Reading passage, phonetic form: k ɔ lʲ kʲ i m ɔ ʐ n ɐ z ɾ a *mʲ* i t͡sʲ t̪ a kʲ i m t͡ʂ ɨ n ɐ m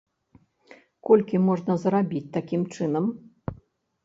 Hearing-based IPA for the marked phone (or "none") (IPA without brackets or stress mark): bʲ